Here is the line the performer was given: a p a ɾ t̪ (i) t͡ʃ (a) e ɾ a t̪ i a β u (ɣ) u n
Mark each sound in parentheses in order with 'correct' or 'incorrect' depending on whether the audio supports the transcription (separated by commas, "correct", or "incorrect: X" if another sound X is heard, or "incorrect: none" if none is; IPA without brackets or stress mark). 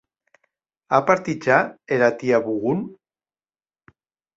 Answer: correct, correct, correct